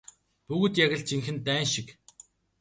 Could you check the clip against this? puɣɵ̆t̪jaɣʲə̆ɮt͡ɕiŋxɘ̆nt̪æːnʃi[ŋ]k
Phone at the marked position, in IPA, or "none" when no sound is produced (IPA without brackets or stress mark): none